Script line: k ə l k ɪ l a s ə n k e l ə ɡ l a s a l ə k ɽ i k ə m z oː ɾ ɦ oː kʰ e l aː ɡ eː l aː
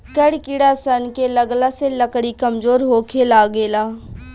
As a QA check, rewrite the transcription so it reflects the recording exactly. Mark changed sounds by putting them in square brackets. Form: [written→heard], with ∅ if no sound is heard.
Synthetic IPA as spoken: k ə [l→ɽ] k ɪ [l→ɽ] a s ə n k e l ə ɡ l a s [a→e] l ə k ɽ i k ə m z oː ɾ ɦ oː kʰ e l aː ɡ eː l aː